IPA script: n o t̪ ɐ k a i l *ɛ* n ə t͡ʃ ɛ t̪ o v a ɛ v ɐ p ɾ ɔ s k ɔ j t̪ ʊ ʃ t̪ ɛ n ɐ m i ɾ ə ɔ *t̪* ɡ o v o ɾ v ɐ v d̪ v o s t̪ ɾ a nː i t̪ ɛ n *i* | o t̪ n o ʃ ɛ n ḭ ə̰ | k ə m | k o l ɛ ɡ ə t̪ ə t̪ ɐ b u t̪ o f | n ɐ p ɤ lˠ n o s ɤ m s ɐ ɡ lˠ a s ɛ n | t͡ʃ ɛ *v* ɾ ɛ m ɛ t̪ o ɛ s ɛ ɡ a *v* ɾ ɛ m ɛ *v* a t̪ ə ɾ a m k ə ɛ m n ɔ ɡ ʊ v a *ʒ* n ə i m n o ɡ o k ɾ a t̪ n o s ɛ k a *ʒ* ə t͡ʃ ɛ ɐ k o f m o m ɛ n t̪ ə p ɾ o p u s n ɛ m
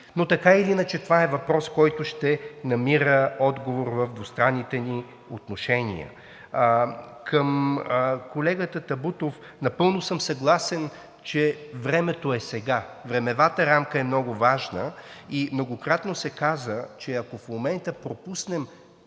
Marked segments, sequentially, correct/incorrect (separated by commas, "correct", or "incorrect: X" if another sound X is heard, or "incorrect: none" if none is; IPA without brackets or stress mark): incorrect: i, incorrect: d̪, correct, correct, correct, correct, correct, incorrect: z